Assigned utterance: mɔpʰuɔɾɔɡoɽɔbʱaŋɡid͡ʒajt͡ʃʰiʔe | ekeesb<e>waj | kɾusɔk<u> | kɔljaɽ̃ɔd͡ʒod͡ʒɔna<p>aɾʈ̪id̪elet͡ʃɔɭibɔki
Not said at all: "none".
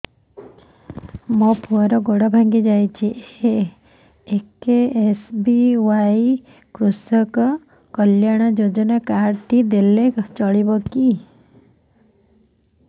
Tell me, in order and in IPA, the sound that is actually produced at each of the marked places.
i, ɔ, k

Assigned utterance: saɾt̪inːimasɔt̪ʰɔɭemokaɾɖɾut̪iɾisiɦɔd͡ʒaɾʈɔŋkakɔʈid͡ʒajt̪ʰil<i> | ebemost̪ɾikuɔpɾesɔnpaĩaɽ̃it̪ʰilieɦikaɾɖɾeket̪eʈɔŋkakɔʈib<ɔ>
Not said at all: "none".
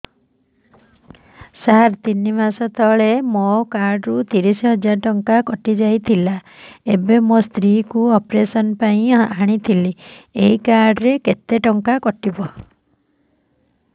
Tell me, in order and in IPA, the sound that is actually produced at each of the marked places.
a, ɔ

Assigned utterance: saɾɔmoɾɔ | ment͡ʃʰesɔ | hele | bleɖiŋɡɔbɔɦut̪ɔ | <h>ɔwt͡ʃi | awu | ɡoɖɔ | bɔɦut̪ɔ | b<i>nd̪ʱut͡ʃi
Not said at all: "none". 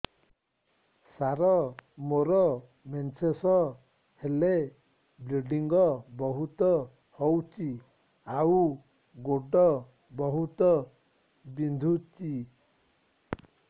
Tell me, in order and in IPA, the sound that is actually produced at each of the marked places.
h, i

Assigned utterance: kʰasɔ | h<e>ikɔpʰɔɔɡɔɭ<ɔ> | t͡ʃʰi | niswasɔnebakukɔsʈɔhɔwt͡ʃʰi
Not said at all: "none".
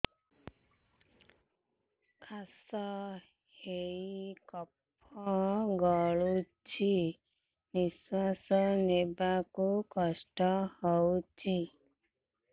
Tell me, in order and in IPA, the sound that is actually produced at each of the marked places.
e, u

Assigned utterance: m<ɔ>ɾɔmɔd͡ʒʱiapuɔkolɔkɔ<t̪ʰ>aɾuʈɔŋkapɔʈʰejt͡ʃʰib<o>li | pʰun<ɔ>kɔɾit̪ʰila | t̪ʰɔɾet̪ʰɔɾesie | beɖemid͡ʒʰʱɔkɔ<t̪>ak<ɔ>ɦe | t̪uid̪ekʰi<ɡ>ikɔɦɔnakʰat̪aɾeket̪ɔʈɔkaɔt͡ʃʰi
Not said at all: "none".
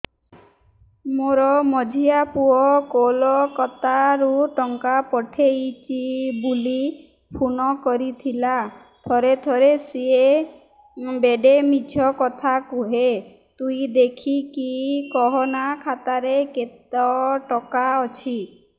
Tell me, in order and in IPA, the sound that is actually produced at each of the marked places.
o, t̪, u, ɔ, t̪ʰ, u, k

